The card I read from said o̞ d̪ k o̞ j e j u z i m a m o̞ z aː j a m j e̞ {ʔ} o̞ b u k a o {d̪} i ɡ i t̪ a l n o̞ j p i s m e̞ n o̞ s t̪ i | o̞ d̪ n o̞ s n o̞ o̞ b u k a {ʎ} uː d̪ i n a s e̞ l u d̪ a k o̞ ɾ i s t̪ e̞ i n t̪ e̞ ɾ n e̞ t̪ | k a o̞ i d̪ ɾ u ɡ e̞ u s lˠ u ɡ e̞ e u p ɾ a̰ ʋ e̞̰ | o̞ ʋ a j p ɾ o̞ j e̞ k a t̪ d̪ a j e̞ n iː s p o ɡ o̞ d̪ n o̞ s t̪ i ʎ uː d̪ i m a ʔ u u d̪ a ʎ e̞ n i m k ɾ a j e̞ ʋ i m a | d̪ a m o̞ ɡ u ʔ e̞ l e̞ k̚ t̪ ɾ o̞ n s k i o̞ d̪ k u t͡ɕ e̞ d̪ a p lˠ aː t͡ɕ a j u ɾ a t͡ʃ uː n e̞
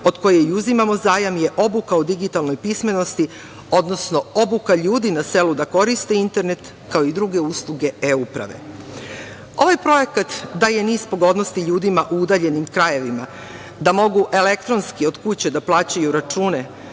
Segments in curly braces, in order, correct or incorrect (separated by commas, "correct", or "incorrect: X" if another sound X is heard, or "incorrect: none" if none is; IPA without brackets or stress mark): correct, correct, correct